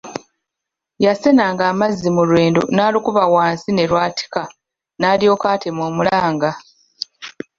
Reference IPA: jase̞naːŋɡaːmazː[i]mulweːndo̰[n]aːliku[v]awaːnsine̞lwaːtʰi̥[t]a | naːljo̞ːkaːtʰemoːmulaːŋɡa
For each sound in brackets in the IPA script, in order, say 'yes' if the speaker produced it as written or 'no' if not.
yes, yes, no, no

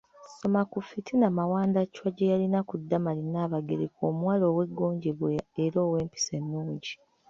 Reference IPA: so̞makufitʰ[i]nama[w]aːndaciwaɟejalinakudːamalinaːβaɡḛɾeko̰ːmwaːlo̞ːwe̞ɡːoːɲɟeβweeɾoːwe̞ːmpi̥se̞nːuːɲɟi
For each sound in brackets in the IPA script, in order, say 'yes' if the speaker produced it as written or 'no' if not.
yes, yes

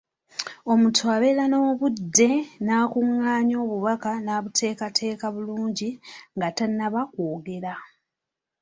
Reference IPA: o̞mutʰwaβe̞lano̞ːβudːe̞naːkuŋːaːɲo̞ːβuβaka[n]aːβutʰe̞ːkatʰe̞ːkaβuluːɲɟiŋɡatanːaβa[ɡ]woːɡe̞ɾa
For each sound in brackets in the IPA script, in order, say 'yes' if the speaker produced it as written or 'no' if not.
yes, no

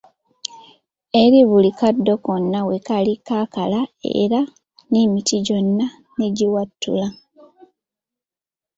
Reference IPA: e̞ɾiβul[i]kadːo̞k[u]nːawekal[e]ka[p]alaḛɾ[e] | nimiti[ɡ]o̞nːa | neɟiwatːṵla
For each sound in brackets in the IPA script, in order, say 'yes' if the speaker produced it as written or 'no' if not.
yes, no, no, no, no, no

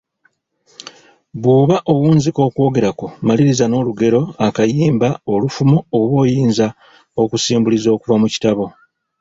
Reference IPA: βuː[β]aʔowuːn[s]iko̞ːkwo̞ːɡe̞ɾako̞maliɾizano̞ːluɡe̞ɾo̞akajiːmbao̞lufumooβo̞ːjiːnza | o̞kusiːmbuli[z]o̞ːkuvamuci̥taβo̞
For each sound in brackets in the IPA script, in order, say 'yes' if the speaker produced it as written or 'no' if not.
yes, no, yes

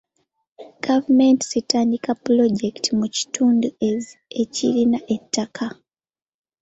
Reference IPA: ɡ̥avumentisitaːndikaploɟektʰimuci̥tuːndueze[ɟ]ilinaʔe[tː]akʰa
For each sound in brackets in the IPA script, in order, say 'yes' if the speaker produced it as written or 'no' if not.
no, yes

